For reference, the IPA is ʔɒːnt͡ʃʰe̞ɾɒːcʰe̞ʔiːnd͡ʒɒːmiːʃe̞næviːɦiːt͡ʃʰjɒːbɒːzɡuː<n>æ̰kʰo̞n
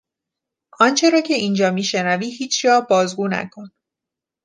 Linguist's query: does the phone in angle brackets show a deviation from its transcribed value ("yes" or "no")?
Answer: no